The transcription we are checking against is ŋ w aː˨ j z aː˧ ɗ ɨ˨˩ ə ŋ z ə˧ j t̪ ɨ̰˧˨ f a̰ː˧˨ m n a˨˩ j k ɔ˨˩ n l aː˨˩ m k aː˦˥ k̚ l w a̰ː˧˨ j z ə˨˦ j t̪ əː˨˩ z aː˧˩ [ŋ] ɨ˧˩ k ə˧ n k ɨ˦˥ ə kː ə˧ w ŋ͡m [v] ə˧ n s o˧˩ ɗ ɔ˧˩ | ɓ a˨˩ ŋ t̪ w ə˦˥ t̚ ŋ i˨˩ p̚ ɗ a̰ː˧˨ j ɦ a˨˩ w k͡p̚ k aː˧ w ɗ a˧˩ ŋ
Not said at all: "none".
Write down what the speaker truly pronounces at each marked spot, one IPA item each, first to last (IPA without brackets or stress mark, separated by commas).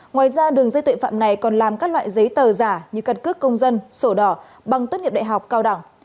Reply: ɲ, z